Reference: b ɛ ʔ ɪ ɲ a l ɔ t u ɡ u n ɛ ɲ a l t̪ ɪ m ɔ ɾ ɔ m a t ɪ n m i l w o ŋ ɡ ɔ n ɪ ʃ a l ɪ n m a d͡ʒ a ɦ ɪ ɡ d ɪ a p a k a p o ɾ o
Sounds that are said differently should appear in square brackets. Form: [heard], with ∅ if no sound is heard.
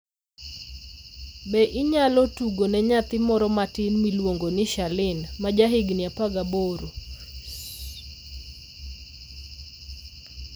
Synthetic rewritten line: b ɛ ʔ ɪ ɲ a l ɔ t u ɡ [o] n ɛ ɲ a [∅] t̪ ɪ m ɔ ɾ ɔ m a t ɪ n m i l w o ŋ ɡ [o] n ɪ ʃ a l ɪ n m a d͡ʒ a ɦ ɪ ɡ [n] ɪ a p a [ɡ] a [b] o ɾ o